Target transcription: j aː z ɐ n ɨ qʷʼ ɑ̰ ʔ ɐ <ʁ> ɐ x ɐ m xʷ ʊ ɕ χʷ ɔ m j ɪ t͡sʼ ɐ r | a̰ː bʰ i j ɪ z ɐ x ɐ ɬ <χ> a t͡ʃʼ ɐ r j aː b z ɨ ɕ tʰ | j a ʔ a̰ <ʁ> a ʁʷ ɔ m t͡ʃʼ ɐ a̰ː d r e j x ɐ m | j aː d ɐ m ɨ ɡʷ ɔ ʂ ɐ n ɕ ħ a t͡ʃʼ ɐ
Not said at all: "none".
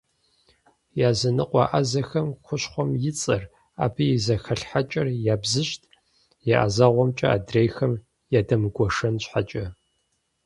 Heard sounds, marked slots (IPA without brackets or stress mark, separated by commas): z, ħ, z